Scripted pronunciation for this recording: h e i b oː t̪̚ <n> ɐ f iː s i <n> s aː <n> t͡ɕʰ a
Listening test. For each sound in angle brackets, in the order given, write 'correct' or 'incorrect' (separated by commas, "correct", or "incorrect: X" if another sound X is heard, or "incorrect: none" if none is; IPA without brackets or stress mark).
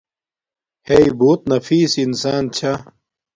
correct, correct, correct